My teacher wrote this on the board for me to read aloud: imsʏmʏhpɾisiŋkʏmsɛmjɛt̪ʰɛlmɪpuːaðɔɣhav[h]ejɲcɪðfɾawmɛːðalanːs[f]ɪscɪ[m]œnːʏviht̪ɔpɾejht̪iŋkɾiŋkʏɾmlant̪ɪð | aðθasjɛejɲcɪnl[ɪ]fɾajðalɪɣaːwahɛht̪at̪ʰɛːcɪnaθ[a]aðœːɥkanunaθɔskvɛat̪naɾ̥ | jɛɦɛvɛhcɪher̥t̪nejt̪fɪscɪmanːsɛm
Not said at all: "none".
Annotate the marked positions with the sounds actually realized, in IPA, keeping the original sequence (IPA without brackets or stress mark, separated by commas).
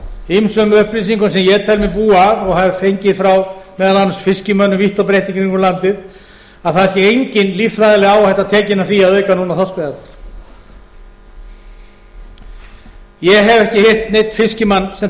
f, f, m, i, i